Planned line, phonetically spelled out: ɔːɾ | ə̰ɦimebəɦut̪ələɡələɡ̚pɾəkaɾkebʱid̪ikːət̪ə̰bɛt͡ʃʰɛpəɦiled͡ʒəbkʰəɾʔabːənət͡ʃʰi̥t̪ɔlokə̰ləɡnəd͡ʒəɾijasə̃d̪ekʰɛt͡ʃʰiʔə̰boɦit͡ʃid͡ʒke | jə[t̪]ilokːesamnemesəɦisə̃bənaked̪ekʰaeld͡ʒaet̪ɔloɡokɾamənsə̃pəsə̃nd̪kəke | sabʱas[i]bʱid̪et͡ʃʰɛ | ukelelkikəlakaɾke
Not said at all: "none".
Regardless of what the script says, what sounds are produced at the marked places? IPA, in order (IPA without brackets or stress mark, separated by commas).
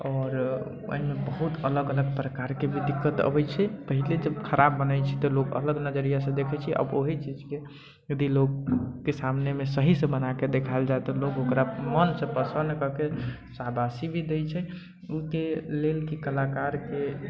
d̪, i